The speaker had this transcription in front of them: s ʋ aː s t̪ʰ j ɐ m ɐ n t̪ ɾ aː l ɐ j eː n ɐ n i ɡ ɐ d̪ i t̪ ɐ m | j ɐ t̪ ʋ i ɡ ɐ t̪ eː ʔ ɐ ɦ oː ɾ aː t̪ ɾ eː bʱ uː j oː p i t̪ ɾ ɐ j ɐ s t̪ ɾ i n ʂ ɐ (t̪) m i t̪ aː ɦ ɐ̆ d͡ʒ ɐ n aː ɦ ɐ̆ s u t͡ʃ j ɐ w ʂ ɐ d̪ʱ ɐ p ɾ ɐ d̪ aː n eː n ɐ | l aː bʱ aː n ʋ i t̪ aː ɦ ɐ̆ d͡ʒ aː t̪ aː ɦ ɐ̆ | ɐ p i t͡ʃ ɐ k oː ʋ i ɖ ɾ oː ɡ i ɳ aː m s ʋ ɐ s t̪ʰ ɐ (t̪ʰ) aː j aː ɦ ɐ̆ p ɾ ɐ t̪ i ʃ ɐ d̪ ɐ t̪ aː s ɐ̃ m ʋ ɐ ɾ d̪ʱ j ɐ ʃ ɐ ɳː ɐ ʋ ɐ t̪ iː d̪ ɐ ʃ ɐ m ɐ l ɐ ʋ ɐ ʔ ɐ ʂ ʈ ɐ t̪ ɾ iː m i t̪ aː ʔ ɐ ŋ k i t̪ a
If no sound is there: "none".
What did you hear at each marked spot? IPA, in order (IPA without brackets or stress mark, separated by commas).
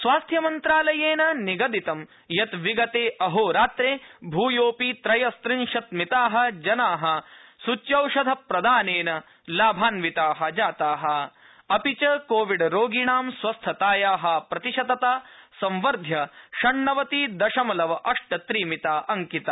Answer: t̪, t̪